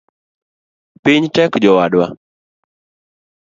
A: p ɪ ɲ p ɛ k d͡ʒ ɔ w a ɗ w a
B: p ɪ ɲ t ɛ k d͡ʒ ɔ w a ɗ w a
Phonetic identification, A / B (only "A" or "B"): B